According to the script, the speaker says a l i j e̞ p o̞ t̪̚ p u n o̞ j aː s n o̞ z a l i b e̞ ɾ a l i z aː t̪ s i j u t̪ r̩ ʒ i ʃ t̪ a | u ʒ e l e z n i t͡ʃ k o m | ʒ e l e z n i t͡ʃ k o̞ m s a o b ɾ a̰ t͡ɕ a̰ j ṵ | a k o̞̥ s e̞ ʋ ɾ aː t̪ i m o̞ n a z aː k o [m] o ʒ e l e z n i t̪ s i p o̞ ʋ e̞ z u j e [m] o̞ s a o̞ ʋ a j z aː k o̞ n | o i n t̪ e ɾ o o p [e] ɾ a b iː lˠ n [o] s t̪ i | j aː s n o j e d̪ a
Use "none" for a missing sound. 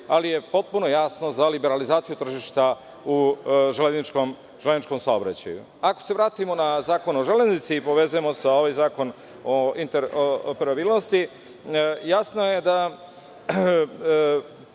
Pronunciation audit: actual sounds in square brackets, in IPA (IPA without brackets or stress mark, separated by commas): n, m, e, o